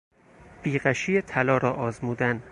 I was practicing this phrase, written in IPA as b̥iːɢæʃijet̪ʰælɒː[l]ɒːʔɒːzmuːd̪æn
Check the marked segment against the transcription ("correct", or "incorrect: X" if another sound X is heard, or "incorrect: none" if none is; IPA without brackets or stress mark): incorrect: ɾ